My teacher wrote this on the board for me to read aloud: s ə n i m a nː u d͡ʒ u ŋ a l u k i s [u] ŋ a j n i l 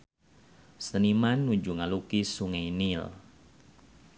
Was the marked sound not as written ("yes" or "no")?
no